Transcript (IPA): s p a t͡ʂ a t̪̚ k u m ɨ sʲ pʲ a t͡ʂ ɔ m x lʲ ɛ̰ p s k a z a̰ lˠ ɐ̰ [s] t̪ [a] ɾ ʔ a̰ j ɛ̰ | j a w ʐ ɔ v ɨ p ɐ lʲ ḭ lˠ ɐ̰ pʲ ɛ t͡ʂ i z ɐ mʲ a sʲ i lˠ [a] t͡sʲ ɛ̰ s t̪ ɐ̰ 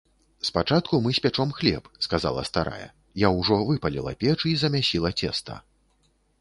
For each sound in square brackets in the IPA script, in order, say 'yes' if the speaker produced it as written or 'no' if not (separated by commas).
yes, yes, no